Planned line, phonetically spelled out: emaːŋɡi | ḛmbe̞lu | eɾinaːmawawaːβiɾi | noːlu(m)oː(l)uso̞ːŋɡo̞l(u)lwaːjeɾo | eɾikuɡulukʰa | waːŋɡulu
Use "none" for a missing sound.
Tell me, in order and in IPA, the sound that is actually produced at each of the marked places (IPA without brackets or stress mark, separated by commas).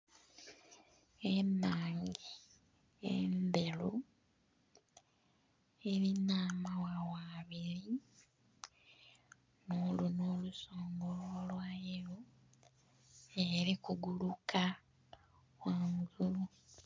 n, l, o